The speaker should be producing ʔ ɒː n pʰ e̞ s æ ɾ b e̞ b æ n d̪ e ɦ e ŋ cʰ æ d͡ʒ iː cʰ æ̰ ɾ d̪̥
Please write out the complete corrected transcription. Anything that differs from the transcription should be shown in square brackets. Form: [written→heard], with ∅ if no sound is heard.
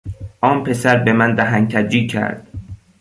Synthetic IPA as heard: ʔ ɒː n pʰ e̞ s æ ɾ b e̞ [b→m] æ n d̪ [e→æ] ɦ [e→æ] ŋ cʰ æ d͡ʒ iː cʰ æ̰ ɾ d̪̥